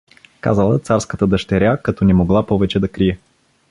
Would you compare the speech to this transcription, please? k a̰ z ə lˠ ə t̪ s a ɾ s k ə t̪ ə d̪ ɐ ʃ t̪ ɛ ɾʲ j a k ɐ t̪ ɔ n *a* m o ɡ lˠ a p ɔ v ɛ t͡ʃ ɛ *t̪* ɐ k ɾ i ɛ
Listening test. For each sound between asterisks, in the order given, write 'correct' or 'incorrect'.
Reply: incorrect: ɛ, incorrect: d̪

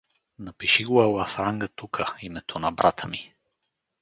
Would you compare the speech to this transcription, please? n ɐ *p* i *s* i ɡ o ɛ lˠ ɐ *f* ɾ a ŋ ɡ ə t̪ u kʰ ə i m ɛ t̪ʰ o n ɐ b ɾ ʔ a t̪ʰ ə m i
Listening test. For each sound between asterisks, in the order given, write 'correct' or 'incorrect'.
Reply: correct, incorrect: ʃ, correct

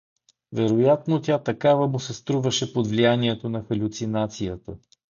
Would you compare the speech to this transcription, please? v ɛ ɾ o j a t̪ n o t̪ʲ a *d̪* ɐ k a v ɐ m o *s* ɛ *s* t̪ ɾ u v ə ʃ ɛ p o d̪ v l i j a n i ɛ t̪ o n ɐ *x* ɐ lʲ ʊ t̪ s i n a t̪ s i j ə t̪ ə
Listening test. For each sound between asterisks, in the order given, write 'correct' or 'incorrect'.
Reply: incorrect: t̪, correct, correct, correct

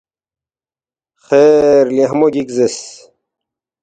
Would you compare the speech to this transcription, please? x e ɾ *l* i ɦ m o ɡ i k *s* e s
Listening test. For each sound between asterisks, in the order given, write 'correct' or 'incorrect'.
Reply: correct, incorrect: z

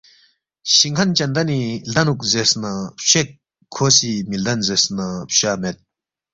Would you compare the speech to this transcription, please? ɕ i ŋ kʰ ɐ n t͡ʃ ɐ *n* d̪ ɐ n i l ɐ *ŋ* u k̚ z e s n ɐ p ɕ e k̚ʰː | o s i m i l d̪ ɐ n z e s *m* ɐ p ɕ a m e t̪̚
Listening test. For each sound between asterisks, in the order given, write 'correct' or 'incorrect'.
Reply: correct, incorrect: n, incorrect: n

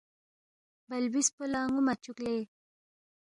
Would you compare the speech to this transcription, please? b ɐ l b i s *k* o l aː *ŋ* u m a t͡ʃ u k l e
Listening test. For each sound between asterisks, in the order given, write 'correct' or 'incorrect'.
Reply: incorrect: p, correct

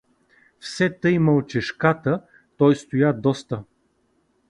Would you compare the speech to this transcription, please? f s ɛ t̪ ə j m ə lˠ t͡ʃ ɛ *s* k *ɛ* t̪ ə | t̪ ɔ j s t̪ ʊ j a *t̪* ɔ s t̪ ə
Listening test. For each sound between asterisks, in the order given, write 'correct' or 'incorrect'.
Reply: incorrect: ʃ, incorrect: a, incorrect: d̪

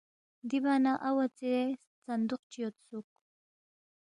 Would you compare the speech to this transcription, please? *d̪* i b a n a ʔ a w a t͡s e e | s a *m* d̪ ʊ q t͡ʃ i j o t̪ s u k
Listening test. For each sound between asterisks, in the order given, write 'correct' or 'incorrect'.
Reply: correct, incorrect: n

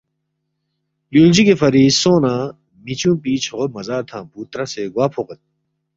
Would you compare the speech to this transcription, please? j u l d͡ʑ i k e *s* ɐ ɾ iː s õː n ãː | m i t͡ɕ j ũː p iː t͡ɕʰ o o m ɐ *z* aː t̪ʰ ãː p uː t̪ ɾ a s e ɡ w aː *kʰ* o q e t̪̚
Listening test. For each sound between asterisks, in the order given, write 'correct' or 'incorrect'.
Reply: incorrect: f, correct, incorrect: pʰ

